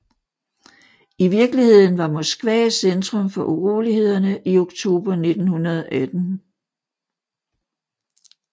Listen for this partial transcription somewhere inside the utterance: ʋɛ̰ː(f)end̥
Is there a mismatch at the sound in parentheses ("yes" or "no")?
yes